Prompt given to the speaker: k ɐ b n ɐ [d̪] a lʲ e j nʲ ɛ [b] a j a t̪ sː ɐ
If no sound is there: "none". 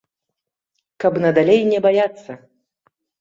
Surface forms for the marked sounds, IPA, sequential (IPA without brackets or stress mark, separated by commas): d̪, b